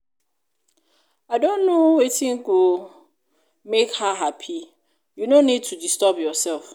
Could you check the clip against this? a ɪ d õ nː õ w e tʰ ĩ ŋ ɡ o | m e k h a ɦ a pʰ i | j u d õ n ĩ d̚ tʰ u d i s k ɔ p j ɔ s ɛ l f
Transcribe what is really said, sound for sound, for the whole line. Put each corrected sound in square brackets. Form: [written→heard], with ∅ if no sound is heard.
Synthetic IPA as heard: a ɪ d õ nː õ w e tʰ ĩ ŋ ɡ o | m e k h a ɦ a pʰ i | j u [d→n] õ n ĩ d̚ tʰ u d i s [k→t] ɔ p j ɔ s ɛ l f